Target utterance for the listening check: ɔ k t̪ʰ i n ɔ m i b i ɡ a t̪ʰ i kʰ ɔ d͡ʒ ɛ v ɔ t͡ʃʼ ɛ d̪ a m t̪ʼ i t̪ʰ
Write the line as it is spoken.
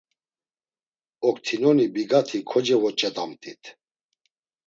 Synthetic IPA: ɔ k t̪ʰ i n ɔ n i b i ɡ a t̪ʰ i kʰ ɔ d͡ʒ ɛ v ɔ t͡ʃʼ ɛ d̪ a m t̪ʼ i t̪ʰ